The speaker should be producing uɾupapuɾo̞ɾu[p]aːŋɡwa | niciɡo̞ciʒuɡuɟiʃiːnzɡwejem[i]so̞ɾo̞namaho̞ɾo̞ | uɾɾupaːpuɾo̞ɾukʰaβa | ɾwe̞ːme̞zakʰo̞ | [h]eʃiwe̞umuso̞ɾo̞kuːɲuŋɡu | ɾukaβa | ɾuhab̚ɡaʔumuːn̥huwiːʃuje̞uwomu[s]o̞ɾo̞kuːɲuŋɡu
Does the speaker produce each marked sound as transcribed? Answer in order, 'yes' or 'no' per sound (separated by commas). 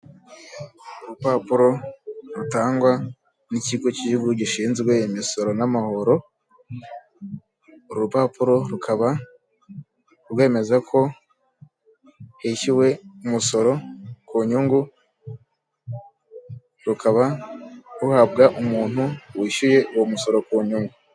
no, yes, yes, yes